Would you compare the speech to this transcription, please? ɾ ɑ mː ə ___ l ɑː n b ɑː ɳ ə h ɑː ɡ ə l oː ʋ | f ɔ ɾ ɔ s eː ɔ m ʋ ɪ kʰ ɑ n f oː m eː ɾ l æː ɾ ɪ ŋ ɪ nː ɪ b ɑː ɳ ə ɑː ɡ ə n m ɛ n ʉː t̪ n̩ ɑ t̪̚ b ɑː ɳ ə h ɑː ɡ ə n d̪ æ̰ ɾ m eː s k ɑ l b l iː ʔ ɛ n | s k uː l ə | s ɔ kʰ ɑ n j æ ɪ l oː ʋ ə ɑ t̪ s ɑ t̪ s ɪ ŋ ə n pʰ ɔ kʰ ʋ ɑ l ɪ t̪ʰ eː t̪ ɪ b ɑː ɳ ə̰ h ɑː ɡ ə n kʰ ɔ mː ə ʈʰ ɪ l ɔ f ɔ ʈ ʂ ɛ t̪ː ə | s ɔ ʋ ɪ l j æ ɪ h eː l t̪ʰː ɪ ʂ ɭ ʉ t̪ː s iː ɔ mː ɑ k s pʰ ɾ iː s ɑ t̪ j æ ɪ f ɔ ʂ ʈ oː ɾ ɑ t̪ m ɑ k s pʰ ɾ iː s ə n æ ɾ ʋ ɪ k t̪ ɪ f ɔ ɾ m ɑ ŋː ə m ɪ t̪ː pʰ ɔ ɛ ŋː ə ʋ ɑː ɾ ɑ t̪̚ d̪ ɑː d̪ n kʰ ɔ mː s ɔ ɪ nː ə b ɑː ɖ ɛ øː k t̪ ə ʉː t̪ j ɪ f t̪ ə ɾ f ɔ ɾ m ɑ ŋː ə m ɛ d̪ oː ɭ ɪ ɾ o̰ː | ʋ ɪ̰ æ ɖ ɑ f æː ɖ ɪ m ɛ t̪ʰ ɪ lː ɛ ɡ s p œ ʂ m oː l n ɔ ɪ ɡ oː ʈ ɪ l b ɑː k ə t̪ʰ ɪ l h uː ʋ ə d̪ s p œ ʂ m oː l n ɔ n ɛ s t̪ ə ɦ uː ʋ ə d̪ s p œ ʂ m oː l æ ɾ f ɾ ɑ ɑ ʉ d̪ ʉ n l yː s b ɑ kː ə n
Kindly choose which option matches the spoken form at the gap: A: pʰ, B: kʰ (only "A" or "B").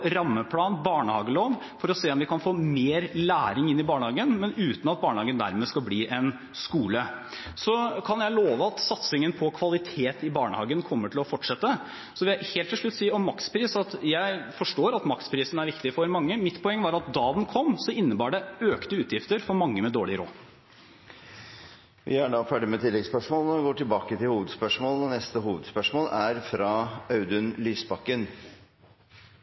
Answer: A